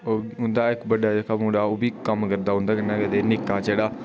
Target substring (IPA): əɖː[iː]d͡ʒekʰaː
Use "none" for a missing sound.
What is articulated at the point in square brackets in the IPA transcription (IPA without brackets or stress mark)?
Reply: aː